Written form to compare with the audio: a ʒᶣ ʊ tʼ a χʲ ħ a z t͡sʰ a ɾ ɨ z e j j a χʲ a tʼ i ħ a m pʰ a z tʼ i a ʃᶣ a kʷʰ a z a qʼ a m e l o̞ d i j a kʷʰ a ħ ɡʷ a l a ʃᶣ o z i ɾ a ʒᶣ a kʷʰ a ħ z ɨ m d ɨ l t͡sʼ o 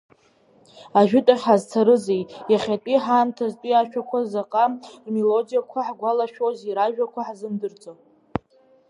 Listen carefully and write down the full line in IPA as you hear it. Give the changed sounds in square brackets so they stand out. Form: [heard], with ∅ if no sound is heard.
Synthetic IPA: a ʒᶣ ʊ tʼ a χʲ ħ a z t͡sʰ a ɾ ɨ z e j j a χʲ a tʼ i ħ a m [tʰ] a z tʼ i a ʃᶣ a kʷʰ a z a qʼ a m e l o̞ d i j a kʷʰ a ħ ɡʷ a l a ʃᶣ o z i ɾ a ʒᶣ a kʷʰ a ħ z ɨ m d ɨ [r] t͡sʼ o